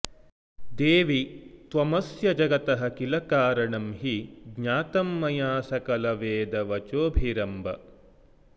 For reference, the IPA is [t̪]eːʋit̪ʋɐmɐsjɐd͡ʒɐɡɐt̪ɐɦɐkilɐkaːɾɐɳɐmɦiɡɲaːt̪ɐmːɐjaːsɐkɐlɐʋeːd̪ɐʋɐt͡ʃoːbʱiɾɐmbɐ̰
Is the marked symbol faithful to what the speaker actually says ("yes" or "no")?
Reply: no